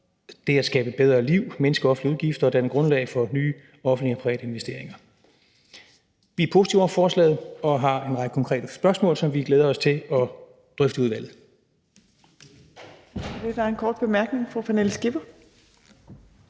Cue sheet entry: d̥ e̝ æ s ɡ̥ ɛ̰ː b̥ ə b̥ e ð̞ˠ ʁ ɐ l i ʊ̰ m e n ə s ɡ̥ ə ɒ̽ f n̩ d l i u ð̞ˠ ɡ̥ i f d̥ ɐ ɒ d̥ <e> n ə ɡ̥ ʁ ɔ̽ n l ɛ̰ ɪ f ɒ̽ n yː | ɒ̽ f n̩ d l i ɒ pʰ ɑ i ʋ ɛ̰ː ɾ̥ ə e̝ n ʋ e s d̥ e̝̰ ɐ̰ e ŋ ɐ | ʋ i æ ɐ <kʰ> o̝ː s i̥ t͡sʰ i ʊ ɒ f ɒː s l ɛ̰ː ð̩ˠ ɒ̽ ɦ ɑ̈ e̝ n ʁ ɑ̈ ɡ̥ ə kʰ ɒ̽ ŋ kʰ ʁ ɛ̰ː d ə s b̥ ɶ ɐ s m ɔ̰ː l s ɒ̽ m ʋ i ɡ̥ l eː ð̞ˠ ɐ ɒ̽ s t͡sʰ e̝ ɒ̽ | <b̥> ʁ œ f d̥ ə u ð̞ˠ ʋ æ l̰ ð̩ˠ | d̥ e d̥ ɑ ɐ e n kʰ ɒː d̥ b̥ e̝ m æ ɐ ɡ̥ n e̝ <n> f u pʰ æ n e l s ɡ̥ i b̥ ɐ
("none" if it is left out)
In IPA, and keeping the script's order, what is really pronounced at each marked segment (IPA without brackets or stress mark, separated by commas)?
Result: æ, pʰ, d̥, ŋ